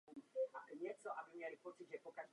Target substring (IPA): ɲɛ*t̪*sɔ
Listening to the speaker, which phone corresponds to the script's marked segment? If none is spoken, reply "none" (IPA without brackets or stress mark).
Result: t̪